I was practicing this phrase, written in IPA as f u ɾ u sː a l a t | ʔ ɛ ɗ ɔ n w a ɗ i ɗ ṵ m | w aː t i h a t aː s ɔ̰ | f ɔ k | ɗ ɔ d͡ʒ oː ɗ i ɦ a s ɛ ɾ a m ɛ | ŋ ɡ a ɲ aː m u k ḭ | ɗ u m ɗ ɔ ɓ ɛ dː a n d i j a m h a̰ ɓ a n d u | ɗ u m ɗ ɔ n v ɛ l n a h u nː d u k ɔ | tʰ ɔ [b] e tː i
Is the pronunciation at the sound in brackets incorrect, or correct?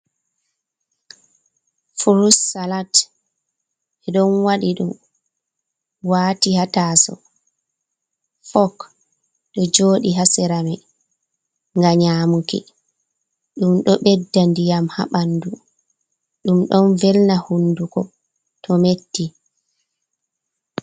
incorrect